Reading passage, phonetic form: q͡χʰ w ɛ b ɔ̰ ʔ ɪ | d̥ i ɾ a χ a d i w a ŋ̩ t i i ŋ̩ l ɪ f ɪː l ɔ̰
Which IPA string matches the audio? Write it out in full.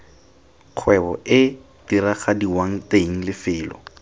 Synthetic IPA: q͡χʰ w ɛ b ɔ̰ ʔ ɪ | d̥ i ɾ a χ a d i w a ŋ̩ t e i ŋ̩ l ɪ f ɪː l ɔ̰